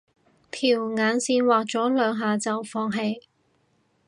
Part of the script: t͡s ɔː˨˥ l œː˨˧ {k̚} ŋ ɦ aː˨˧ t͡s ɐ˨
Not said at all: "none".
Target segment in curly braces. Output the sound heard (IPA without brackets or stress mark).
none